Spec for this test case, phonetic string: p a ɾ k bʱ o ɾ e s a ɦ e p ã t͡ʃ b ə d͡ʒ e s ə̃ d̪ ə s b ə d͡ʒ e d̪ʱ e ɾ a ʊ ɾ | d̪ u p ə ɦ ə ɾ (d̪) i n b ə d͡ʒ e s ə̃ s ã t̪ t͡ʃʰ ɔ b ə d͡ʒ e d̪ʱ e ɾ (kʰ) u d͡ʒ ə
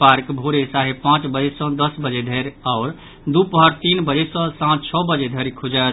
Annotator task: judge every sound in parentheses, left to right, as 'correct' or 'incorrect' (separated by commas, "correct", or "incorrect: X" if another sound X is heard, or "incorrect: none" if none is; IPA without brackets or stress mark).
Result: incorrect: t̪, correct